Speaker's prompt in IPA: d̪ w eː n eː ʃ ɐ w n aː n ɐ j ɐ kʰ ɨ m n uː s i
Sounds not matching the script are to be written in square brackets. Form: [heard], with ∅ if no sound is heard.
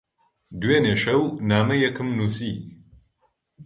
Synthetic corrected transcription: d̪ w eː n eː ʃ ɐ w n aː [m] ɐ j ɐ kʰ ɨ m n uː s i